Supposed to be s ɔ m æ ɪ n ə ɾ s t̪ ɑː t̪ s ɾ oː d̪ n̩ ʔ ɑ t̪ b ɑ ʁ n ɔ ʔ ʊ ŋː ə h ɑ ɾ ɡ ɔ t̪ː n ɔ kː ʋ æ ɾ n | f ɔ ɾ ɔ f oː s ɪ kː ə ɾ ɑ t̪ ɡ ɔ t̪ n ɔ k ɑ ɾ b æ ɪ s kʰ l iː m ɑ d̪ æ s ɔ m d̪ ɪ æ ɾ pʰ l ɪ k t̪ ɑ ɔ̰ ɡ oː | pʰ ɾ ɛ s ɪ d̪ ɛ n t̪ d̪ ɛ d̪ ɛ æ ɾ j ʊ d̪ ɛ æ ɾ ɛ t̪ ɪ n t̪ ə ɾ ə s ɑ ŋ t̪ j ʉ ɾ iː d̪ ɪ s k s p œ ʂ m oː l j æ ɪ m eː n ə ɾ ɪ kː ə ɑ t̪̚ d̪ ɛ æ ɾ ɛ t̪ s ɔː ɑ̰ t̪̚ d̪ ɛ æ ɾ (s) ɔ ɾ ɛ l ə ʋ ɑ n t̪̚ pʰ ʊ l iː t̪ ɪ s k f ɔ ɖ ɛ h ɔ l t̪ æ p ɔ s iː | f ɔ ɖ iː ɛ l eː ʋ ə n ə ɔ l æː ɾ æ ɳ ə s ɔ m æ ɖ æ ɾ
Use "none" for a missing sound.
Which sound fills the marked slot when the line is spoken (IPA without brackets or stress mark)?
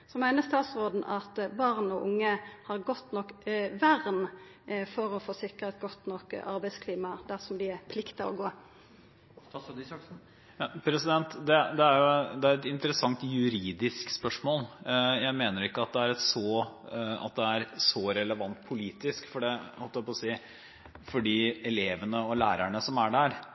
s